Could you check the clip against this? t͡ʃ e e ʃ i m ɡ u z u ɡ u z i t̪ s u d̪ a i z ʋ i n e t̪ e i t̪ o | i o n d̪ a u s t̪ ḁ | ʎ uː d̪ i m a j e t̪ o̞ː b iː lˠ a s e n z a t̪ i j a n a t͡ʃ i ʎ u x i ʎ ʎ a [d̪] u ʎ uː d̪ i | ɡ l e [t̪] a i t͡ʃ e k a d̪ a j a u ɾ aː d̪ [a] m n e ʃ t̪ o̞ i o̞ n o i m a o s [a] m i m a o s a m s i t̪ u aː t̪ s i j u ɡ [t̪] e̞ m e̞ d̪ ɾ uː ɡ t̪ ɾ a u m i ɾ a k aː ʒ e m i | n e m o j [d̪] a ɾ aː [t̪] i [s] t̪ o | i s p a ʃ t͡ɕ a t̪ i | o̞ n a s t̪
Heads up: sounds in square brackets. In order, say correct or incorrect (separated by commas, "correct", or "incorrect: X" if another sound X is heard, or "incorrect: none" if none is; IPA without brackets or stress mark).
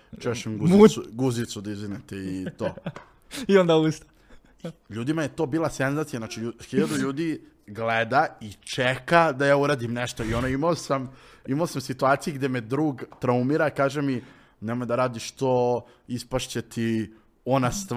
correct, incorrect: d̪, incorrect: i, correct, incorrect: d̪, correct, incorrect: d̪, incorrect: ʃ